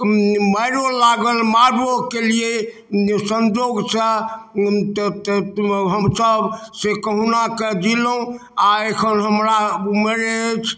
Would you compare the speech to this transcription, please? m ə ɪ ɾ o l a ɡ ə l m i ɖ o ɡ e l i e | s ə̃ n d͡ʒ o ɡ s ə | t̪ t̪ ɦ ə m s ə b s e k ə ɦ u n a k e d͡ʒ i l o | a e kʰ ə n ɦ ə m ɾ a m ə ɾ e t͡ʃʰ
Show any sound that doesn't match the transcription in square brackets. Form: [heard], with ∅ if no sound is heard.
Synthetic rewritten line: m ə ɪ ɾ o l a ɡ ə l m [a] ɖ o [k] e l i e | s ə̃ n d͡ʒ o ɡ s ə | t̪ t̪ ɦ ə m s ə b s e k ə ɦ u n a k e d͡ʒ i l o | a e kʰ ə n ɦ ə m ɾ a m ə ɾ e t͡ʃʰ

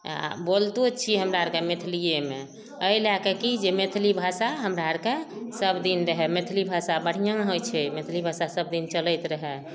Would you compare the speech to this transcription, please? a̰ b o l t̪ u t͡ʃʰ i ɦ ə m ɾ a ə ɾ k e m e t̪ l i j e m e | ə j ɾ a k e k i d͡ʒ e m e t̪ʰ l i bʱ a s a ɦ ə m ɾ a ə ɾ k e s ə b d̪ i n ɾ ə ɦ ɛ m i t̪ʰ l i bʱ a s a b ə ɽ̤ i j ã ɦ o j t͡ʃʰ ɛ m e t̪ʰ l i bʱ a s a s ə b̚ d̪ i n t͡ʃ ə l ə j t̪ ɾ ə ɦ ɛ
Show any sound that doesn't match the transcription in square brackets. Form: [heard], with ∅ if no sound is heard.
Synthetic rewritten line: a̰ b o l t̪ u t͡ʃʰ i ɦ ə m ɾ a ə ɾ k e m e [t̪ʰ] l i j e m e | ə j [l] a k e k i d͡ʒ e m e t̪ʰ l i bʱ a s a ɦ ə m ɾ a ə ɾ k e s ə b d̪ i n ɾ ə ɦ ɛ m [e] t̪ʰ l i bʱ a s a b ə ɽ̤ i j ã ɦ o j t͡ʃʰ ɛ m e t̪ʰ l i bʱ a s a s ə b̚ d̪ i n t͡ʃ ə l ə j t̪ ɾ ə ɦ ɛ

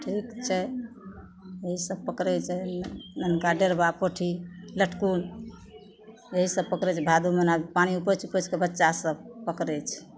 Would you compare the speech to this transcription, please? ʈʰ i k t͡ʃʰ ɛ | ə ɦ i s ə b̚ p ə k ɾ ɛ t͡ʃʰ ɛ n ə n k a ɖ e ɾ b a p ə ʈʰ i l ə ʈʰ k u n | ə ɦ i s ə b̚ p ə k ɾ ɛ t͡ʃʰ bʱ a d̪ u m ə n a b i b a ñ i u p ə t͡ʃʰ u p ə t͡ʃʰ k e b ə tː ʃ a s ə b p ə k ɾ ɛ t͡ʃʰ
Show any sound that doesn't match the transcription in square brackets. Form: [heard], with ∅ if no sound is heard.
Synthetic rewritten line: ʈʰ i k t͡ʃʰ ɛ | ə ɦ i s ə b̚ p ə k ɾ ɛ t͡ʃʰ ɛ n ə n k a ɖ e ɾ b a p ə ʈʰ i l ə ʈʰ k u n | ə ɦ i s ə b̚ p ə k ɾ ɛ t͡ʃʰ bʱ a d̪ u m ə n a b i [p] a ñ i u p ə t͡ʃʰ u p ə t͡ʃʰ k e b ə tː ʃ a s ə b p ə k ɾ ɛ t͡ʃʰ

